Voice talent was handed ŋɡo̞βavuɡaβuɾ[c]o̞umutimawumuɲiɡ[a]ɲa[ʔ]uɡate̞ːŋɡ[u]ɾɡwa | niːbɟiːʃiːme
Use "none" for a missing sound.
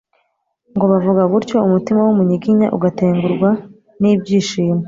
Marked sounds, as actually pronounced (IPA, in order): c, i, ʔ, u

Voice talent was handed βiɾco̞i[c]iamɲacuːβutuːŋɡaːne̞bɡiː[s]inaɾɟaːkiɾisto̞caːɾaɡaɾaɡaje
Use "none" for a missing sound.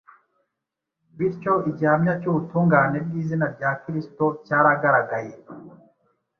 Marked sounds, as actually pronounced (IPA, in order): ɟ, z

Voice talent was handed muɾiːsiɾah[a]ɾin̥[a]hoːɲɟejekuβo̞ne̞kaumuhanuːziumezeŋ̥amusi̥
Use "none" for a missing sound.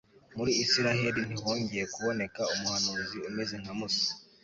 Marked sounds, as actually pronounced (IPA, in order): e, i

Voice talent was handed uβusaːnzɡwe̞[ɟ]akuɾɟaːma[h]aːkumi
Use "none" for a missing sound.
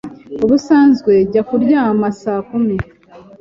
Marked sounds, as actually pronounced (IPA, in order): ɟ, s

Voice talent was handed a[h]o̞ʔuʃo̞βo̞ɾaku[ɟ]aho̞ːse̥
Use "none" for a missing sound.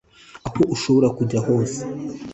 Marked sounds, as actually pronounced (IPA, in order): h, ɟ

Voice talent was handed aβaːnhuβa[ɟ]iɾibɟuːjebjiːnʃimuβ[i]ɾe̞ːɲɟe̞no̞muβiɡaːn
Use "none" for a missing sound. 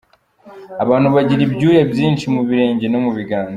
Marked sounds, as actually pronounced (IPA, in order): ɟ, i

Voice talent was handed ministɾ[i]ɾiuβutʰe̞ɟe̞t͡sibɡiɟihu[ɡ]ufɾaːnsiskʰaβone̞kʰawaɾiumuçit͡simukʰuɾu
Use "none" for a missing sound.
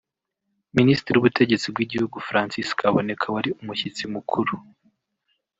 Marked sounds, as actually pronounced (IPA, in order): i, ɡ

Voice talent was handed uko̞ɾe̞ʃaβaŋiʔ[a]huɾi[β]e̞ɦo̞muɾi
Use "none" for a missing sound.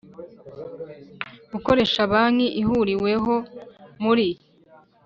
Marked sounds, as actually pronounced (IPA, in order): i, w

